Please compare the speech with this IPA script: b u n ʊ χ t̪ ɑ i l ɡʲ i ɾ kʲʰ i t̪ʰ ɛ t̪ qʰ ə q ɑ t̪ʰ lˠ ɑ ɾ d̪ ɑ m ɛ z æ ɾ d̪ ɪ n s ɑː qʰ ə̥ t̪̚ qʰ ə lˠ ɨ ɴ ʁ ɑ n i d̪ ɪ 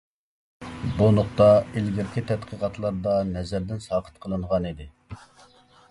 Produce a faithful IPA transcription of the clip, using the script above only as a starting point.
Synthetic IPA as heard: b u n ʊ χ t̪ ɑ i l ɡʲ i ɾ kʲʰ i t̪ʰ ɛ t̪ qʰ ə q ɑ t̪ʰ lˠ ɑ ɾ d̪ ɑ n ɛ z æ ɾ d̪ ɪ n s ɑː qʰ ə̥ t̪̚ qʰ ə lˠ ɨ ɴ ʁ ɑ n i d̪ ɪ